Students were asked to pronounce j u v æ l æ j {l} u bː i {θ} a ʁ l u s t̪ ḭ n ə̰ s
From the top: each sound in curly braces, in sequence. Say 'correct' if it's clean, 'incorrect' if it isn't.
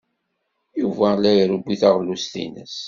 incorrect, correct

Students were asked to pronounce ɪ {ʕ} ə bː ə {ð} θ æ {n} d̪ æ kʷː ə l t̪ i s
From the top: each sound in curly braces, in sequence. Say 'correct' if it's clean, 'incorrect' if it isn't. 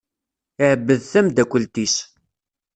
correct, correct, incorrect

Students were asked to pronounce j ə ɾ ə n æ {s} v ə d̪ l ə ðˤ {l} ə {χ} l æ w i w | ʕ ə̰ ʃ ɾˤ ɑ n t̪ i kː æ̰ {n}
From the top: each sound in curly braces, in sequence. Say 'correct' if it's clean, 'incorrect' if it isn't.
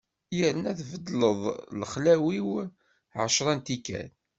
incorrect, correct, correct, correct

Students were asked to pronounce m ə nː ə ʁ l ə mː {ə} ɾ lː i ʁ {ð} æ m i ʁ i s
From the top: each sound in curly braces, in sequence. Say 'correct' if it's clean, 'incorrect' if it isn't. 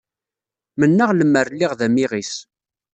correct, correct

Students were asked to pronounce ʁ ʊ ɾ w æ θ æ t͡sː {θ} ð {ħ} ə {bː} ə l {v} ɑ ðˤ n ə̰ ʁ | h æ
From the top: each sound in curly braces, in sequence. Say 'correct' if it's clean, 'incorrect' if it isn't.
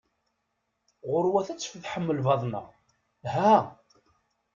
incorrect, correct, incorrect, correct

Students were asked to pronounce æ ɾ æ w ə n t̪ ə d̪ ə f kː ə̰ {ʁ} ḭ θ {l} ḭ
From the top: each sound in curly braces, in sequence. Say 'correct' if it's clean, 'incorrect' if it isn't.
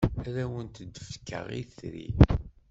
correct, incorrect

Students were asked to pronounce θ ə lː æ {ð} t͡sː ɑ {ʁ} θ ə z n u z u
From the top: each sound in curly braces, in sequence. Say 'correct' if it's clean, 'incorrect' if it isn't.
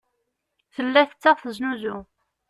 incorrect, correct

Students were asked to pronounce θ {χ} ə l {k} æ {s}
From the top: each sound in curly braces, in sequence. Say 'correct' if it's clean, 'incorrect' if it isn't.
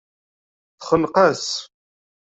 correct, incorrect, correct

